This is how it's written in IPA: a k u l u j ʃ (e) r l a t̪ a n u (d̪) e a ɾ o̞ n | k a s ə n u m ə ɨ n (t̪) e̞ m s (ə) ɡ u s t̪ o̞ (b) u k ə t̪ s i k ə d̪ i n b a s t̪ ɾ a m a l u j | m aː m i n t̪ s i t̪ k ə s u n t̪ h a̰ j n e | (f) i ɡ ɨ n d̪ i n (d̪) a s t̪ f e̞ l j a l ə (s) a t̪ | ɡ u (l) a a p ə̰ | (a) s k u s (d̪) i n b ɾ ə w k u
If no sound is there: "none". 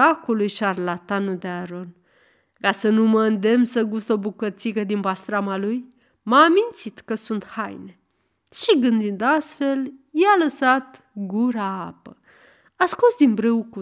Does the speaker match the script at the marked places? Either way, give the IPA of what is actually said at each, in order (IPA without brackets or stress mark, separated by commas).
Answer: a, d̪, d̪, ə, b, ʃ, d̪, s, ɾ, a, d̪